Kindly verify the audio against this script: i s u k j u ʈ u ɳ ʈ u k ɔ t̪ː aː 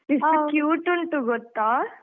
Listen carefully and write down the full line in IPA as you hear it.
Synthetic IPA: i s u k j uː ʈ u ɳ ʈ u ɡ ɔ t̪ː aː